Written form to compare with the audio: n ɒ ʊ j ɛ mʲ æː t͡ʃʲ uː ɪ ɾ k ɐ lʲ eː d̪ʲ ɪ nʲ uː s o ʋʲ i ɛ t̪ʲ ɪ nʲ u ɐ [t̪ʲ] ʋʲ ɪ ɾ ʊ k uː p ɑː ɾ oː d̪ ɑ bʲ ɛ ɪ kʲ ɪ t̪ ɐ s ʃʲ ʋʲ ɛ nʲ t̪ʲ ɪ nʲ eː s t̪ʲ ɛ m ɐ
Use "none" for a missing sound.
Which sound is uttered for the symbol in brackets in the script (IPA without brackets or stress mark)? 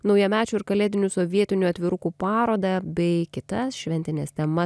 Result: t̪ʲ